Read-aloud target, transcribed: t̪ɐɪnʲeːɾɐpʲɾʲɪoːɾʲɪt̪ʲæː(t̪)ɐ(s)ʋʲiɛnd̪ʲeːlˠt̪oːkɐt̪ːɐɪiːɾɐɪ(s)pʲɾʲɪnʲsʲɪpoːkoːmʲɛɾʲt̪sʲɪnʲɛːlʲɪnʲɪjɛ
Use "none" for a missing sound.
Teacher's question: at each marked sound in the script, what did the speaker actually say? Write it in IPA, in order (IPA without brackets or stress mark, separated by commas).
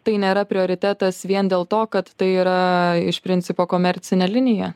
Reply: t̪, s, ʃ